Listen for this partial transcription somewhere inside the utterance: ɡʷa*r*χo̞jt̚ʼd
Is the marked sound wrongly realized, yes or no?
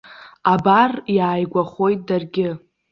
yes